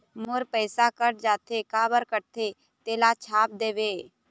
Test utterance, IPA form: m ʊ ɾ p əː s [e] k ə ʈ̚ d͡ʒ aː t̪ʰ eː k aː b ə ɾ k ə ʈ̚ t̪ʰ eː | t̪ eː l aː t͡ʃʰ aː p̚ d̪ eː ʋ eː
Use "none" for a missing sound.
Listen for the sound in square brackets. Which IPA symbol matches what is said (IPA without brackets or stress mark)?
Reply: a